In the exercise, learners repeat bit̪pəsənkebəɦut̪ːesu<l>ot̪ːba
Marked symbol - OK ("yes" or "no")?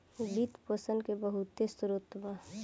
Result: no